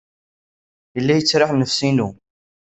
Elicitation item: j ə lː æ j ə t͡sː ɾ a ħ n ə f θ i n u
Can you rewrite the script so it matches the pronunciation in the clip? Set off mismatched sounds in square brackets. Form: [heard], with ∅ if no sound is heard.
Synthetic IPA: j ə lː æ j ə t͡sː ɾ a ħ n ə f [s] i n u